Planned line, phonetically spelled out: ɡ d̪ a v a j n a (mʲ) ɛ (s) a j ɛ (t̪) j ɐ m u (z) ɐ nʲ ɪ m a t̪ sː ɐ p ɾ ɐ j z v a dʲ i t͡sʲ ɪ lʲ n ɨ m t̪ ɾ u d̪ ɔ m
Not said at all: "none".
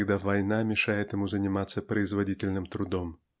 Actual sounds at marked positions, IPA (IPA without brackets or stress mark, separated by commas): mʲ, ʂ, t̪, z